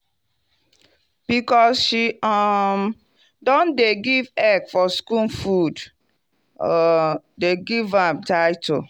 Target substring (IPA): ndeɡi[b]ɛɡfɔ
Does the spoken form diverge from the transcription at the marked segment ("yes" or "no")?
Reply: yes